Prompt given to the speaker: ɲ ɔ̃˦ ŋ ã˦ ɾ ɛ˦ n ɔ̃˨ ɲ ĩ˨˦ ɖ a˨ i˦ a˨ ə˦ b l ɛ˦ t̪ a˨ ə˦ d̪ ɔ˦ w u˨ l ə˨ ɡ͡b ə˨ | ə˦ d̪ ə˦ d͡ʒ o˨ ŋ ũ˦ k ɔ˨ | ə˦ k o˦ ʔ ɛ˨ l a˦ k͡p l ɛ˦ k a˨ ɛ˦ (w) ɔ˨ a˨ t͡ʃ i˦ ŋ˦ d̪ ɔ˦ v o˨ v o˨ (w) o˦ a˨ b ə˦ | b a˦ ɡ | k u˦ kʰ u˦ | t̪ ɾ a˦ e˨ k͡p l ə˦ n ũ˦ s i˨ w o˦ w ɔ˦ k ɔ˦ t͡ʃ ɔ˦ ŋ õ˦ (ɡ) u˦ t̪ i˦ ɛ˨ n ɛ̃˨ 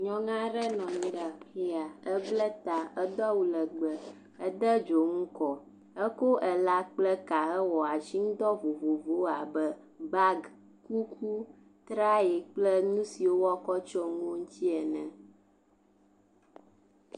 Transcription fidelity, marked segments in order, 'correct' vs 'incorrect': correct, incorrect: v, incorrect: ŋ

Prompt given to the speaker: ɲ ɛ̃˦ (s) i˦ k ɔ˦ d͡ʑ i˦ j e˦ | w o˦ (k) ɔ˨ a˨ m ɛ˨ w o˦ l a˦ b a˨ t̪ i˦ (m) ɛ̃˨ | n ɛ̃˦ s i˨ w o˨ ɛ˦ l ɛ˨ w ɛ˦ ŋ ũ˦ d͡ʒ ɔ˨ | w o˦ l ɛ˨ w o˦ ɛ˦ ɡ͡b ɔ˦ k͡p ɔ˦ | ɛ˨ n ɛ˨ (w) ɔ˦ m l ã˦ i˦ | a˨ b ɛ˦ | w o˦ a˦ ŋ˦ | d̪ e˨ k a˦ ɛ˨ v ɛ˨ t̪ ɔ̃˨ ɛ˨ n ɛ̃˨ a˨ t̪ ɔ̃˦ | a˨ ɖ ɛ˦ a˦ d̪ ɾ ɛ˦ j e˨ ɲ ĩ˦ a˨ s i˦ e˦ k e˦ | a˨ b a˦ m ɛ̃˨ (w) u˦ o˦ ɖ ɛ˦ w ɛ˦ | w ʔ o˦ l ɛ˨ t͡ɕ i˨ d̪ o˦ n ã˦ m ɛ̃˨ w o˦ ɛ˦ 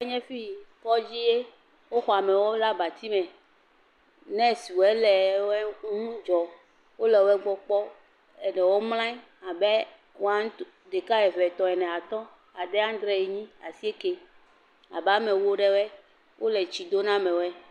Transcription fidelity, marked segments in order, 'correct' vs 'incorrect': incorrect: f, incorrect: x, correct, correct, correct

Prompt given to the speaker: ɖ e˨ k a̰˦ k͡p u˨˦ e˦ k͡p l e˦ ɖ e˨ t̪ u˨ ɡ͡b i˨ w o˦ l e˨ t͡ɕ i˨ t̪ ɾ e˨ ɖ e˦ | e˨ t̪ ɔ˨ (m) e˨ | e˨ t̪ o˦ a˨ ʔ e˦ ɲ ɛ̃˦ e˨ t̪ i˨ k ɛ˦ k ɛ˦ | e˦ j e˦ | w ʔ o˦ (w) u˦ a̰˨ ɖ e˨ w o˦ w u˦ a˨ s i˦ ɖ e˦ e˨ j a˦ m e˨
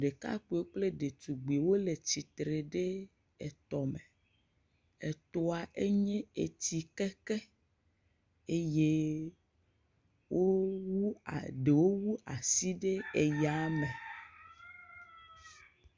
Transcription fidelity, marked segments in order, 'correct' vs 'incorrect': correct, correct

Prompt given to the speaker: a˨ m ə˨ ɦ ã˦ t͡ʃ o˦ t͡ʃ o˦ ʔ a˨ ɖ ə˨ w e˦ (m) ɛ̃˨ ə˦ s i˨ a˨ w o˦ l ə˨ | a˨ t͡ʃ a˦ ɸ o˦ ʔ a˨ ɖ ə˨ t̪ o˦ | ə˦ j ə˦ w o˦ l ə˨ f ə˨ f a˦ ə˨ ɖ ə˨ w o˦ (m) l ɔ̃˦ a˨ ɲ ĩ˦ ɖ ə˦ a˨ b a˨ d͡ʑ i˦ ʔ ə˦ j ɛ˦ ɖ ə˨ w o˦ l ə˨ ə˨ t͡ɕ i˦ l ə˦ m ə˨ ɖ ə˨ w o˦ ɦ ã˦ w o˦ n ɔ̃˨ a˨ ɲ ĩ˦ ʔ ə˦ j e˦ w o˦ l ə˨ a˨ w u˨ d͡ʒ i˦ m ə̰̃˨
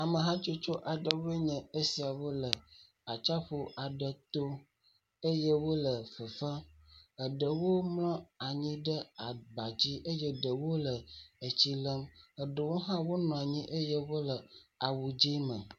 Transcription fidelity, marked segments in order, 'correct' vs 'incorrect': incorrect: ɲ, correct

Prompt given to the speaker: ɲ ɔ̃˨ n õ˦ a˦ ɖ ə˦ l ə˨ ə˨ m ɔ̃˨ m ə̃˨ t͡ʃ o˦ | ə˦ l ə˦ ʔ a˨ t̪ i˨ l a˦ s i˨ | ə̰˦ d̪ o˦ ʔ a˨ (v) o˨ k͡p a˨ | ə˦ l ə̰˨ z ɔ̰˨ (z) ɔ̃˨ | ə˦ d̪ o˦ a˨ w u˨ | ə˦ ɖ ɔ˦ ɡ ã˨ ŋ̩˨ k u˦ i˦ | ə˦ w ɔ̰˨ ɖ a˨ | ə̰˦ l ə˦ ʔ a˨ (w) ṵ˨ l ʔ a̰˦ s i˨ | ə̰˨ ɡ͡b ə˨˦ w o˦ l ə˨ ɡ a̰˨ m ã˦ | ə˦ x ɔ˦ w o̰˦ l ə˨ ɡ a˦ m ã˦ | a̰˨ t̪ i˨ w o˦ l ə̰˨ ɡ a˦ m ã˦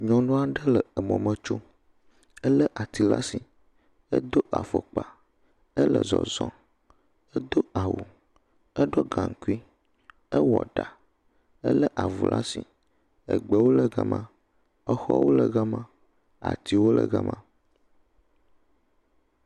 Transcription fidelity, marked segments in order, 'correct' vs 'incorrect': incorrect: f, correct, incorrect: v

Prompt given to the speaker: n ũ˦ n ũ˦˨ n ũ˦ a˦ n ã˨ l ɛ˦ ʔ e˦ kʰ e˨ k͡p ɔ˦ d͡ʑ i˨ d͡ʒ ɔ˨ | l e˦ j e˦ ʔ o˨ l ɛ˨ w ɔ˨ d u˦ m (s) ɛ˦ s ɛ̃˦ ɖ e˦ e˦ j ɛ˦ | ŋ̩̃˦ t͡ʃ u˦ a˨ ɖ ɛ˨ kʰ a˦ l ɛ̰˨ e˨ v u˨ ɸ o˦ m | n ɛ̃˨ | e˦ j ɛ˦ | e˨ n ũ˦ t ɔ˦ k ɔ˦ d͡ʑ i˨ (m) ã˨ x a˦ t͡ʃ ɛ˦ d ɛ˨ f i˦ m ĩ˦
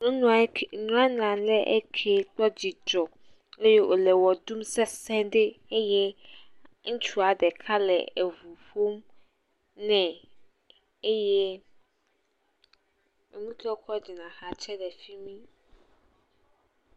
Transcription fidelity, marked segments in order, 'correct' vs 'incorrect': correct, incorrect: n

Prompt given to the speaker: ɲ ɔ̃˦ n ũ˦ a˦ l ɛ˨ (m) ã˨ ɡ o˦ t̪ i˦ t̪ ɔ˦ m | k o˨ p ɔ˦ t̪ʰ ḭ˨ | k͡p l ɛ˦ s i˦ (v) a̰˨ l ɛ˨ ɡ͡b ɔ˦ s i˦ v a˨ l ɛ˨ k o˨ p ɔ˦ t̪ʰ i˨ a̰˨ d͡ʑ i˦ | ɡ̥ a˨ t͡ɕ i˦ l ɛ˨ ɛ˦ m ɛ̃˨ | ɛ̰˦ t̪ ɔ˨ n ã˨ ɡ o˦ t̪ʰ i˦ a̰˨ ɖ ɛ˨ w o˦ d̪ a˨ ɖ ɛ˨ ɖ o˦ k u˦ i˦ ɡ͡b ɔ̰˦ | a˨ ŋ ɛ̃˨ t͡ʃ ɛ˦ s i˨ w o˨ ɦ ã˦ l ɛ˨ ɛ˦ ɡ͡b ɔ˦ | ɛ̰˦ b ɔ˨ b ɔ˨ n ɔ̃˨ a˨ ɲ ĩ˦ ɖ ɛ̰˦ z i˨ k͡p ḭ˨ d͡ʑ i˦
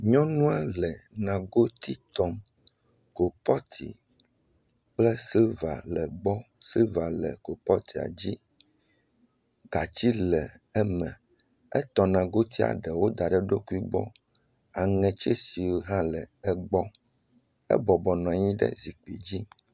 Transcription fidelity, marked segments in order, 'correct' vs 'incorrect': incorrect: n, correct

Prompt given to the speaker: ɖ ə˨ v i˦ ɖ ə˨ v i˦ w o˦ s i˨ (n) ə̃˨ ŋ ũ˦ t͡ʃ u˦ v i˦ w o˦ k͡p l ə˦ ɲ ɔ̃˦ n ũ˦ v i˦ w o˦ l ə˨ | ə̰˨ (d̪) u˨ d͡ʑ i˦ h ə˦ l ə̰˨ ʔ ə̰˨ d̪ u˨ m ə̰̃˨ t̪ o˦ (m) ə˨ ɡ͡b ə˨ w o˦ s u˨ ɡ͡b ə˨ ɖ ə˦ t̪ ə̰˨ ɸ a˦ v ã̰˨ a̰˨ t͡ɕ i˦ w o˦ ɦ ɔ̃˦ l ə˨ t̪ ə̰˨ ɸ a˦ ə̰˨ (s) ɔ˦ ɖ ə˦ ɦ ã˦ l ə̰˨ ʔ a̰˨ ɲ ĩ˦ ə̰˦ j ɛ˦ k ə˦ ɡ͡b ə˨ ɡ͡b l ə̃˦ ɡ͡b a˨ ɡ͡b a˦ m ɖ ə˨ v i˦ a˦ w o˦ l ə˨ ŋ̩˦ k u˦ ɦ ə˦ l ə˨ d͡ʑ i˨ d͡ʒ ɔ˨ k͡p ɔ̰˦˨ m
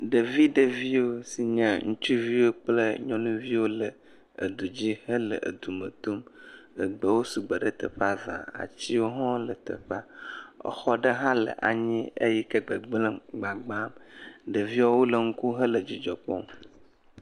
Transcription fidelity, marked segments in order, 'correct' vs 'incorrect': incorrect: ɲ, correct, correct, incorrect: x

